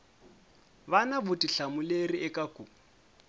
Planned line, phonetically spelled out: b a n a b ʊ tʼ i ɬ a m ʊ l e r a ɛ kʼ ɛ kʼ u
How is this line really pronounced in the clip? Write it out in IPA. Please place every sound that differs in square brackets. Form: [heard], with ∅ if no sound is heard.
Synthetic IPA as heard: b a n a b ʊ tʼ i ɬ a m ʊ l e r [i] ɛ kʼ [a] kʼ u